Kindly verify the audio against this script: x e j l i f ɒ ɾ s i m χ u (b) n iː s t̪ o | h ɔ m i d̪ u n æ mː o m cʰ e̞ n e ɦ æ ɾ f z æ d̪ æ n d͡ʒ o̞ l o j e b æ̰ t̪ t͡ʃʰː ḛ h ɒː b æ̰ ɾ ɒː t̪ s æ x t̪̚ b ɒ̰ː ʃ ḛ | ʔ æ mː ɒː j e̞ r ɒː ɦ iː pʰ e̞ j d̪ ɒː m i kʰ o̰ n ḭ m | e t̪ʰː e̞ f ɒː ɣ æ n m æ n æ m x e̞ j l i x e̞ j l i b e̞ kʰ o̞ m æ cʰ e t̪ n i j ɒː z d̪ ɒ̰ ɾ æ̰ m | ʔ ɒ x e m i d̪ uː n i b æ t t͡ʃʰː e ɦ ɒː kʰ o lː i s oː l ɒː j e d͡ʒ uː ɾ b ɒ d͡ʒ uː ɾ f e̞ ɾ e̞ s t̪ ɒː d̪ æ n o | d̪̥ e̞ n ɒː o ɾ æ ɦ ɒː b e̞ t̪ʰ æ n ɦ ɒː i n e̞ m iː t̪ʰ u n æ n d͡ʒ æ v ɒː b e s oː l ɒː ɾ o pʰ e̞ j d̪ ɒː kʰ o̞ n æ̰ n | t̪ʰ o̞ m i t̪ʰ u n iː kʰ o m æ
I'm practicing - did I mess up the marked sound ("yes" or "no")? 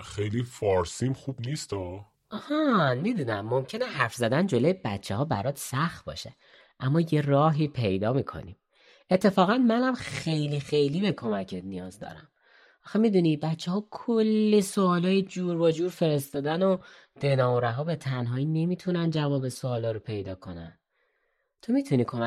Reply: no